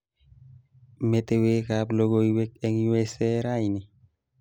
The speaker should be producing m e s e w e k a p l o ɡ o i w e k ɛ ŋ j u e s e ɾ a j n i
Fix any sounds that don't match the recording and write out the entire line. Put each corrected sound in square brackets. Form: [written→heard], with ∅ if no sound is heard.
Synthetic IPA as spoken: m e [s→t] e w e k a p l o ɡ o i w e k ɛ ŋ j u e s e ɾ a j n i